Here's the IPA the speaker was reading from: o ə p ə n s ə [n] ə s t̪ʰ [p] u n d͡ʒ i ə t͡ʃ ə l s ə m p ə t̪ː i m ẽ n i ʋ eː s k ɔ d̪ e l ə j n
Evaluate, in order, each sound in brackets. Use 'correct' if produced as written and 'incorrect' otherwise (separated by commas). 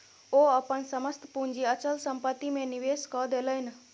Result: incorrect, correct